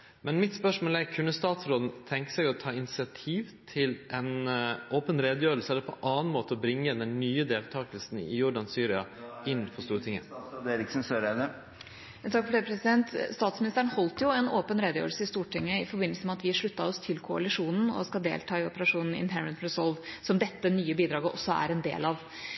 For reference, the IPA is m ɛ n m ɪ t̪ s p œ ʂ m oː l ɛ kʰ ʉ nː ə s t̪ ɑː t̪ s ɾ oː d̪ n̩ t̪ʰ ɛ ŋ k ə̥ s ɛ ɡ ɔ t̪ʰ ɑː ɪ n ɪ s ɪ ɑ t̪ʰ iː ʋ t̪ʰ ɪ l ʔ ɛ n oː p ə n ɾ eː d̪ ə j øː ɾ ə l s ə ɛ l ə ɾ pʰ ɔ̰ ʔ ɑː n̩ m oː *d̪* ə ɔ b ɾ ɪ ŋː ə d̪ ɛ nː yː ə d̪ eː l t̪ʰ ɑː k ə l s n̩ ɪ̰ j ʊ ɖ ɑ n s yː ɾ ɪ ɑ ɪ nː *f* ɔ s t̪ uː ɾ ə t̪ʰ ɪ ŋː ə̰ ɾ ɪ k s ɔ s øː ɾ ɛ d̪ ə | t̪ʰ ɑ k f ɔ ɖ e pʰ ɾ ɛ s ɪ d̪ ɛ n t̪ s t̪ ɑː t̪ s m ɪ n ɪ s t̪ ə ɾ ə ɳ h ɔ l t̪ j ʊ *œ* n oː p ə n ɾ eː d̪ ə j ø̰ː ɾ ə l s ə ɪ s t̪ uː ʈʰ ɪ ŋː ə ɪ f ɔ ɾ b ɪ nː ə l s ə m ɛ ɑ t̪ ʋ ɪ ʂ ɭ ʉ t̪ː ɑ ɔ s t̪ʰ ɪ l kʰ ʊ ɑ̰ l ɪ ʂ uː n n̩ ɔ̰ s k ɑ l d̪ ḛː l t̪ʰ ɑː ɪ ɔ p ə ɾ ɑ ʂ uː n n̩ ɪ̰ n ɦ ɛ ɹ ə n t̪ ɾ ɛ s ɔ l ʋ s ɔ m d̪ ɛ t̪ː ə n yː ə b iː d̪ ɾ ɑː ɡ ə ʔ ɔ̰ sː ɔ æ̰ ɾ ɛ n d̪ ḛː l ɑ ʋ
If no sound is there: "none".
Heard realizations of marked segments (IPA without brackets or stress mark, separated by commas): t̪, f, ɛ